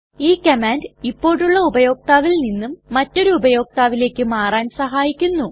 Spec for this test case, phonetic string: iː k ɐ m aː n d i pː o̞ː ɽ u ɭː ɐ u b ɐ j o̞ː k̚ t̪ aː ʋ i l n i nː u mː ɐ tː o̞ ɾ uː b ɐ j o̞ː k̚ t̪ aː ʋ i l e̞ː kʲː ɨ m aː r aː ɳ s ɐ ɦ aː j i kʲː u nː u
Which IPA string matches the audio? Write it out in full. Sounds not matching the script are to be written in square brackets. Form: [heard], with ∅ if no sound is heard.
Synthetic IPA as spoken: iː k ɐ m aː n d i pː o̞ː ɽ u ɭː ɐ u b ɐ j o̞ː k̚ t̪ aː ʋ i l n i nː u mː ɐ tː o̞ ɾ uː b ɐ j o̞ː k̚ t̪ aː ʋ i l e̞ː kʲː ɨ m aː r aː [n] s ɐ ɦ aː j i kʲː u nː u